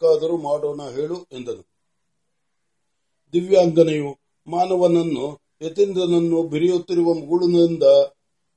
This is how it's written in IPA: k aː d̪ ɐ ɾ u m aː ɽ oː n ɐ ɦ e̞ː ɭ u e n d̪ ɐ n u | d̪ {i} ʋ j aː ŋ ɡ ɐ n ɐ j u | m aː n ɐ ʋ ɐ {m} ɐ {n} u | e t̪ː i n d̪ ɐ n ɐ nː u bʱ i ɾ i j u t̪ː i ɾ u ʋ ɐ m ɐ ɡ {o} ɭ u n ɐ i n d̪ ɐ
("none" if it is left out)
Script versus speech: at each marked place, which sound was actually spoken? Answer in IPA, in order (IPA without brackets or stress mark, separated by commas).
i, n, nː, u